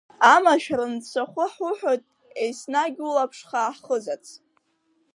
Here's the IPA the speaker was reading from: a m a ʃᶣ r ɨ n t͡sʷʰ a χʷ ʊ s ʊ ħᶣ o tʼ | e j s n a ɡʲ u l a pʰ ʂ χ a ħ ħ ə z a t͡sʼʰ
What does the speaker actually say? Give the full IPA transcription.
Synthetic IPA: a m a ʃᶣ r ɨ n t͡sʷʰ a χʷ ʊ ħ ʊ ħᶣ o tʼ | e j s n a ɡʲ u l a pʰ ʂ χ a ħ χ ə z a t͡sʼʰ

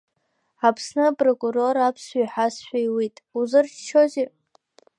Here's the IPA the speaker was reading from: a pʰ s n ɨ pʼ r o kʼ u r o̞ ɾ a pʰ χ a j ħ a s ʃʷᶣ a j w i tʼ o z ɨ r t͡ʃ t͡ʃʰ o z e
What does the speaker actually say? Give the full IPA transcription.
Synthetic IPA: a pʰ s n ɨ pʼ r o kʼ u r o̞ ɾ a pʰ s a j ħ a s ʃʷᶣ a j w i tʼ u z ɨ r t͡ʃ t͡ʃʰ o z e

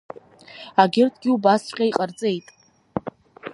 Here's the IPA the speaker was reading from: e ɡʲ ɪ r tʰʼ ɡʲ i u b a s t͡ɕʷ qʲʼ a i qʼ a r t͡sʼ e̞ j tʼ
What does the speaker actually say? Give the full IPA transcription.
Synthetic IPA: a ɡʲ ɪ r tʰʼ ɡʲ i u b a s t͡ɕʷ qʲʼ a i qʼ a r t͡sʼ e̞ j tʼ

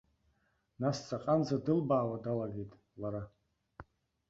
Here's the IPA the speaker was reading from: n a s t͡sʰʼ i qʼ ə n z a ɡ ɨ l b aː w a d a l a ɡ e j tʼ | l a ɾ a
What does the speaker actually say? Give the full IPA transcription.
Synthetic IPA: n a s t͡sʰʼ a qʼ a n z a d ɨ l b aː w a d a l a ɡ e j tʼ | l a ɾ a

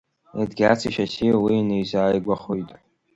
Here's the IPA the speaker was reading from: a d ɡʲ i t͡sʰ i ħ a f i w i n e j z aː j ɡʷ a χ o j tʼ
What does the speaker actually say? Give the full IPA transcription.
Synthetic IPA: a d ɡʲ a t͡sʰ i ʃ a s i w i n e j z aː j ɡʷ a χ o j tʼ

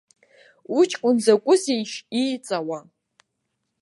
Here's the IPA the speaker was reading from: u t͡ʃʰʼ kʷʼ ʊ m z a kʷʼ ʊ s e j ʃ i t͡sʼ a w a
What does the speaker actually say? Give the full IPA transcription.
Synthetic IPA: u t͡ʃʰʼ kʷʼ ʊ n z a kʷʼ ʊ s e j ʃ i t͡sʼ a w a

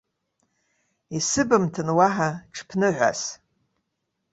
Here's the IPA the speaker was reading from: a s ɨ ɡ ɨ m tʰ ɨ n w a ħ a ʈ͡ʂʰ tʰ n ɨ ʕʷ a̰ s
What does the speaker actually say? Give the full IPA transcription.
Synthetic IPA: i s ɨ b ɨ m tʰ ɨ n w a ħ a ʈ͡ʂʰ pʰ n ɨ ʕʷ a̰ s

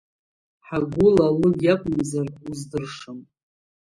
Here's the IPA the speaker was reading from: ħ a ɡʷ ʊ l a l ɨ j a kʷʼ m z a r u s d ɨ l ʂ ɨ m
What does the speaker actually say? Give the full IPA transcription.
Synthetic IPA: ħ a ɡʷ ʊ l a l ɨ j a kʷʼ m z a r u z d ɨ r ʂ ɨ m

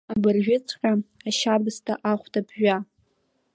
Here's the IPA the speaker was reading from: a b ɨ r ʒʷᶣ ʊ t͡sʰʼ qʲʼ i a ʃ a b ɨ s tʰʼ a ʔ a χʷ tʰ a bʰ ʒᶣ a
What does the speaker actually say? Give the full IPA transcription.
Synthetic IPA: a b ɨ r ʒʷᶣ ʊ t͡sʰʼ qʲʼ a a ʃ a b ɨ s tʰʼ a ʔ a χʷ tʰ a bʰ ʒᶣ a

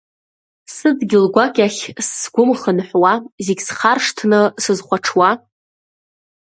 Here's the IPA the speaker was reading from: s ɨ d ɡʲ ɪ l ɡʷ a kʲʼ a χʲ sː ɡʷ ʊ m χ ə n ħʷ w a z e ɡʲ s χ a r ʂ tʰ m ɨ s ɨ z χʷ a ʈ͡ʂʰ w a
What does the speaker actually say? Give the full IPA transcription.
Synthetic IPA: s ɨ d ɡʲ ɪ l ɡʷ a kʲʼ a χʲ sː ɡʷ ʊ m χ ə n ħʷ w a z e ɡʲ s χ a r ʂ tʰ n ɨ s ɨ z χʷ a ʈ͡ʂʰ w a

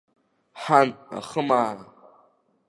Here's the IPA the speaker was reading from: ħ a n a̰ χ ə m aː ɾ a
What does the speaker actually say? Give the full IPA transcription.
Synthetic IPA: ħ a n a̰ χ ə m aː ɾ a

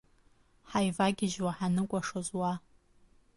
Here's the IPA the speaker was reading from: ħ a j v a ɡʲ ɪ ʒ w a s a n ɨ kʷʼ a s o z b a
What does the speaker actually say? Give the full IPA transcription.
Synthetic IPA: ħ a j v a ɡʲ ɪ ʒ w a ħ a n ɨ kʷʼ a ʂ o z w a

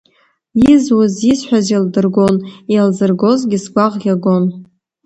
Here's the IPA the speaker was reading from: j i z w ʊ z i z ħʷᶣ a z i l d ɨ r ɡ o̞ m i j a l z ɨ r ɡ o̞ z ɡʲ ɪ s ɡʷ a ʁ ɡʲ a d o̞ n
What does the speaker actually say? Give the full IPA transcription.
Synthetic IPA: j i z w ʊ z i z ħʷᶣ a z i l d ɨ r ɡ o̞ n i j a l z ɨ r ɡ o̞ z ɡʲ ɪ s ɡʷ a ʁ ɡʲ a ɡ o̞ n

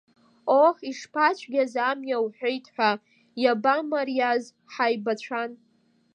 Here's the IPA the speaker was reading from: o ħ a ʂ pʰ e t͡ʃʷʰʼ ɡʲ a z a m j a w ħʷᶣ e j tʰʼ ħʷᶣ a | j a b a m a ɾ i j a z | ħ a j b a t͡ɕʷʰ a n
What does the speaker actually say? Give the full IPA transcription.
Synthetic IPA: o ħ i ʂ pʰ a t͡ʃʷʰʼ ɡʲ a z a m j a w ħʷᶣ e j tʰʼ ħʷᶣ a | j a b a m a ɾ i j a z | ħ a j b a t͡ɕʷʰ a n

